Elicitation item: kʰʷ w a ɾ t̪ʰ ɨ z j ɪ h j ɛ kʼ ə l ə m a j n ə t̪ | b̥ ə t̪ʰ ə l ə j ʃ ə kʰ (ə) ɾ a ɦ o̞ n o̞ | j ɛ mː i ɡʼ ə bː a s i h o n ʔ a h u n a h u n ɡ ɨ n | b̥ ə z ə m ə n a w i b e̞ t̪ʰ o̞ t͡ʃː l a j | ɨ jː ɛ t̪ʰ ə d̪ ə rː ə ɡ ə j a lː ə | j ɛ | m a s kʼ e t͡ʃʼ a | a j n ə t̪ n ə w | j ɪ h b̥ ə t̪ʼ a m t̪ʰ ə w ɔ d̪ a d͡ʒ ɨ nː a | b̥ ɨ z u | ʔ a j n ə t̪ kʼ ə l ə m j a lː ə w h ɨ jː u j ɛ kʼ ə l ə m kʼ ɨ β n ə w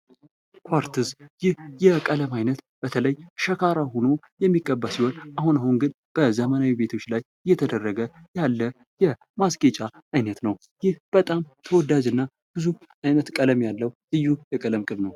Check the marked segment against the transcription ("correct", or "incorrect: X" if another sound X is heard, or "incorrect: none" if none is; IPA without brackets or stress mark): incorrect: a